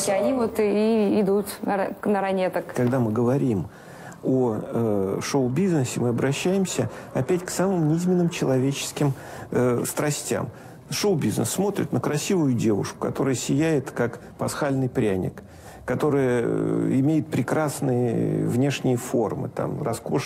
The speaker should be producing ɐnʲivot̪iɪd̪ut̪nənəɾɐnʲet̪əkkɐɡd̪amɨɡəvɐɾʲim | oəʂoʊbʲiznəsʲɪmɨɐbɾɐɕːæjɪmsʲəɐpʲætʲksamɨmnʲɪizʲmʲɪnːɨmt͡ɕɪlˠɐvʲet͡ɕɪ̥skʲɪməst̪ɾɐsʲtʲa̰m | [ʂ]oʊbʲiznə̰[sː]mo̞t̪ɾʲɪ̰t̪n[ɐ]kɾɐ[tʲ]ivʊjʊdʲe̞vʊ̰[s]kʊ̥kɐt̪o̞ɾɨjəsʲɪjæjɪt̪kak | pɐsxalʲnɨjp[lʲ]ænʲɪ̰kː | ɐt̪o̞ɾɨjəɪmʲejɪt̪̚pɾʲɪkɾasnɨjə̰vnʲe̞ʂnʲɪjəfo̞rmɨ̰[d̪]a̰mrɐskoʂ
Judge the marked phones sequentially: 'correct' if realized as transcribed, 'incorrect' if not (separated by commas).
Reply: correct, correct, incorrect, incorrect, incorrect, incorrect, incorrect